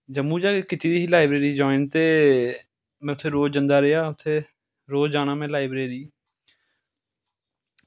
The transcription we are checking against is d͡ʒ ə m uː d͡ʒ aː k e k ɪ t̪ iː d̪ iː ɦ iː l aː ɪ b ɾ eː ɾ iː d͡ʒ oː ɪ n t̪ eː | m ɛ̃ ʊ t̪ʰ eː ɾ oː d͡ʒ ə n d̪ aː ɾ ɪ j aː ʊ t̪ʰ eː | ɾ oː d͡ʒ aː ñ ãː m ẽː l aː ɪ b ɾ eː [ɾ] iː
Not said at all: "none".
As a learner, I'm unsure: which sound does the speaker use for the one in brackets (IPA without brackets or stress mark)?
ɾ